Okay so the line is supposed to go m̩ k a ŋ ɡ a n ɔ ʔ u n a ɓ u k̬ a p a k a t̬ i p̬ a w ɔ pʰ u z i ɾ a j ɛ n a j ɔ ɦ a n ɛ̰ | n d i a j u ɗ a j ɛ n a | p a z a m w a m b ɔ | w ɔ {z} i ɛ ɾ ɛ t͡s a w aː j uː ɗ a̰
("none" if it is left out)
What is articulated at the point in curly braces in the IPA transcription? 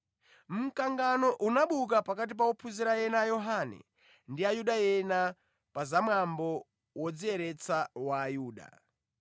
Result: d͡z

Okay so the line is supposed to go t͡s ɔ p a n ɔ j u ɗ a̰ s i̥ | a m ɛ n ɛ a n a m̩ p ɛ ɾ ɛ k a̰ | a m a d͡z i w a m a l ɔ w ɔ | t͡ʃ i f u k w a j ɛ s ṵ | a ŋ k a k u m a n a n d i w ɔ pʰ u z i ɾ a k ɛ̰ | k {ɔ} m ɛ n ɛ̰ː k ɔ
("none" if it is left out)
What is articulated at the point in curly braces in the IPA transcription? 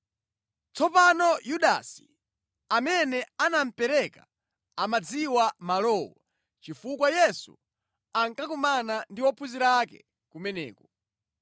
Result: u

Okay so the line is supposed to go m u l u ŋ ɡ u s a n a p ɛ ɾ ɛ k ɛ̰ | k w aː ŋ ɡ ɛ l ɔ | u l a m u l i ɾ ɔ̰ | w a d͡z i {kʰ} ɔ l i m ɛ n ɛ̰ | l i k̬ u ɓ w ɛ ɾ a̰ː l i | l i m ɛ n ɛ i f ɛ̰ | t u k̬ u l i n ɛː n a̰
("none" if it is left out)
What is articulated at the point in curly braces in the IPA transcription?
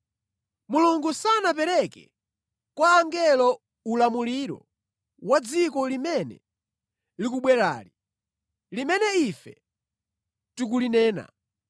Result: k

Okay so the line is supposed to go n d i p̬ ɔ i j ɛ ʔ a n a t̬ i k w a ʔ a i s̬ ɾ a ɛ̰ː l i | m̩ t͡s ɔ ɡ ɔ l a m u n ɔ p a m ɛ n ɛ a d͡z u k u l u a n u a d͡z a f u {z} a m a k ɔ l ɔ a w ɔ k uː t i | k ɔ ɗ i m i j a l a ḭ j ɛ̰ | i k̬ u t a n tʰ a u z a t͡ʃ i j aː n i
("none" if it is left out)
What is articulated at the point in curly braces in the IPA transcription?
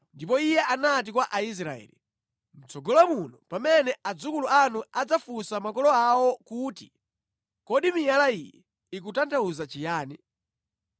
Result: s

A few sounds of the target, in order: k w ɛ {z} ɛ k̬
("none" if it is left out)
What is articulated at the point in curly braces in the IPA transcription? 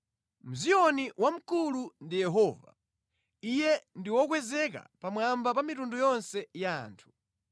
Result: z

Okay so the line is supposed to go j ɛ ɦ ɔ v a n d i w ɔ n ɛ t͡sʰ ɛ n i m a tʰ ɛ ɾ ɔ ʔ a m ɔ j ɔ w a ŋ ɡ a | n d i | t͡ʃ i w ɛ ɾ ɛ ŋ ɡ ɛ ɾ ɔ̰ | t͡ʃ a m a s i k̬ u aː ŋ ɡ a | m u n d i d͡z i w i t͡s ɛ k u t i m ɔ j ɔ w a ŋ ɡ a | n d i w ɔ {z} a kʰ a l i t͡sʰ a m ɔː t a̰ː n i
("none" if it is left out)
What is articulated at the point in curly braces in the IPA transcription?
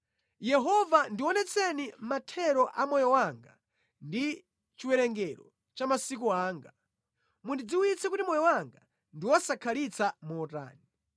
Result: s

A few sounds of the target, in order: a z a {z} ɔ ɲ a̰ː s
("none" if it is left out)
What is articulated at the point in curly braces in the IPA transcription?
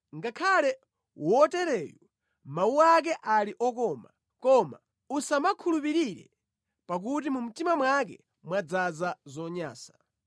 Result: z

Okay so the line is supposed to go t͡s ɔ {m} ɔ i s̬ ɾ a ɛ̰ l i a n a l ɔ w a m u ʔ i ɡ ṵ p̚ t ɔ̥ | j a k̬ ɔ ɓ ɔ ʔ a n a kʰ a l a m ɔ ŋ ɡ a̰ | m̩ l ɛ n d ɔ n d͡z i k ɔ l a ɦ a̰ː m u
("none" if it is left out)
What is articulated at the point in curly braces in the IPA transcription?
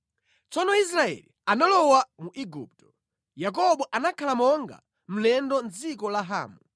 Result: n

